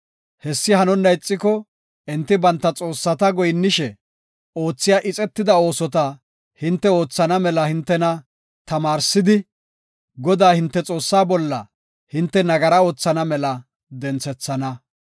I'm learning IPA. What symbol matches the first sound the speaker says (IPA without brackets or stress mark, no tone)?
h